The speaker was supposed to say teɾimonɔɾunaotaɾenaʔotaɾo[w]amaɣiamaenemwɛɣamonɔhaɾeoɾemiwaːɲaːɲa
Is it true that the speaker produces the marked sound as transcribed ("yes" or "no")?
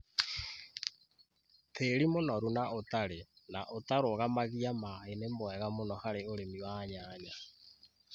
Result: no